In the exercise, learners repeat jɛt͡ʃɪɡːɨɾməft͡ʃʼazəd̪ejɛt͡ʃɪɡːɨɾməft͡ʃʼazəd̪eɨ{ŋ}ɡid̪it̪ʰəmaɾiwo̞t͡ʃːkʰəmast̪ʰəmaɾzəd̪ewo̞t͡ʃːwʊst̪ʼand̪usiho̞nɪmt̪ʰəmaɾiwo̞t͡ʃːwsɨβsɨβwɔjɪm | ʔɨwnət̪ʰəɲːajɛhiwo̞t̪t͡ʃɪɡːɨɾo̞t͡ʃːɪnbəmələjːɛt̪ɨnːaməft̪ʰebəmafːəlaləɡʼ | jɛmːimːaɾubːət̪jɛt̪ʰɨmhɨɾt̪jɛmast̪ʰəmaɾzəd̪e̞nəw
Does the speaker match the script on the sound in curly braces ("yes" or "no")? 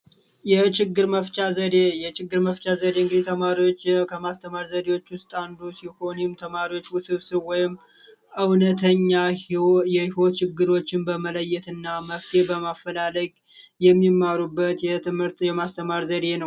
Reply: yes